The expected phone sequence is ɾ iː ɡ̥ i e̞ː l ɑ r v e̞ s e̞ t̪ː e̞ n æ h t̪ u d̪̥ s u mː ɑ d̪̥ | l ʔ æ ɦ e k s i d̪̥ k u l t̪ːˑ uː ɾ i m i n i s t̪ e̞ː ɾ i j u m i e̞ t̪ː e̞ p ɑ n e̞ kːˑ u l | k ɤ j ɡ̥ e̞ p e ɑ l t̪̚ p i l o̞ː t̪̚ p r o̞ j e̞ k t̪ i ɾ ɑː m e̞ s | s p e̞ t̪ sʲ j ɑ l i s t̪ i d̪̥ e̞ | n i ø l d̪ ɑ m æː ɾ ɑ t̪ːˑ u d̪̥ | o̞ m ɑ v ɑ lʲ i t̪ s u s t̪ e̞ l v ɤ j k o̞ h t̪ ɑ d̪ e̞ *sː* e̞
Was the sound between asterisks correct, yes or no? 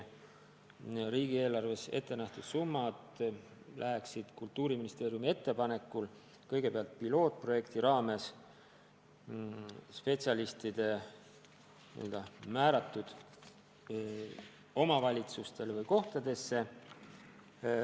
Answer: yes